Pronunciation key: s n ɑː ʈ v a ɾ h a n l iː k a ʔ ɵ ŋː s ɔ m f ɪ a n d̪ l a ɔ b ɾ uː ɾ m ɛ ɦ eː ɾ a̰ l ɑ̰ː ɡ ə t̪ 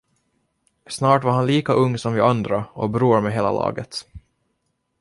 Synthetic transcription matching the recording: s n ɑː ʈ v a ɾ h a n l iː k a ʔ ɵ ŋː s ɔ m v ɪ a n d̪ ɾ a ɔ b ɾ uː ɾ m ɛ ɦ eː l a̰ l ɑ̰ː ɡ ə t̪